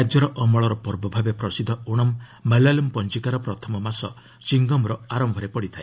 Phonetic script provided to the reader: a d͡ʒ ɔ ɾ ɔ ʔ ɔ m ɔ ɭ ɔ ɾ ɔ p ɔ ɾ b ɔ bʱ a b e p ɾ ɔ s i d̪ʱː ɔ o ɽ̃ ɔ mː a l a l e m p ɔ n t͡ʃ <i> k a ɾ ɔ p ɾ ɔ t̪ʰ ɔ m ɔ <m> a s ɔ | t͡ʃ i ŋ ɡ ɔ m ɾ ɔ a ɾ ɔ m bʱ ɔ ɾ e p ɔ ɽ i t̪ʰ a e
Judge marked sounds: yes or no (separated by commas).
yes, yes